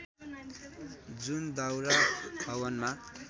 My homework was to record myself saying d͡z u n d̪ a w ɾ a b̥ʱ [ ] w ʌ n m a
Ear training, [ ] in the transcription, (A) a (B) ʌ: B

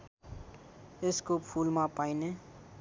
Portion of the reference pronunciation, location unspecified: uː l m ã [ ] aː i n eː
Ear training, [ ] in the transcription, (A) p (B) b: A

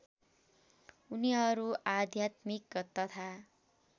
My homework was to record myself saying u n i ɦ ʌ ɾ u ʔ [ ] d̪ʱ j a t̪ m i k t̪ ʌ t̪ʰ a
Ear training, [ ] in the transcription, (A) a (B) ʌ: A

